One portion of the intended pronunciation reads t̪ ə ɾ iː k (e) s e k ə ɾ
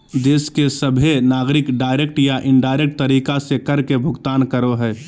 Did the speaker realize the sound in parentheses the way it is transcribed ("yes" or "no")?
no